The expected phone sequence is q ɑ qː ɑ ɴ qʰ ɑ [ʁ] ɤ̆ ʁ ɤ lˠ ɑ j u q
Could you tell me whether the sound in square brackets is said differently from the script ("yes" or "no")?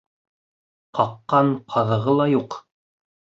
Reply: yes